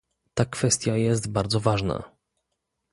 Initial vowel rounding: unrounded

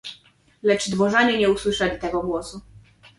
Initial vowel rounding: unrounded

